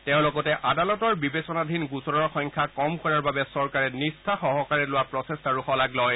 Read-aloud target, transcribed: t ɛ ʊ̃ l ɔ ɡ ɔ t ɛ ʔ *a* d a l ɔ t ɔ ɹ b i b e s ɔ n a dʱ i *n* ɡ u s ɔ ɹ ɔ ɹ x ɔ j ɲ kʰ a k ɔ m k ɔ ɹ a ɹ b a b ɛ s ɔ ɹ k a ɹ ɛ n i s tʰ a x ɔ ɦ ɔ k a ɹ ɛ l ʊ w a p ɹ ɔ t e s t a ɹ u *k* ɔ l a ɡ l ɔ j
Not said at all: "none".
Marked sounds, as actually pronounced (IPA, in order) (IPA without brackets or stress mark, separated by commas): a, n, x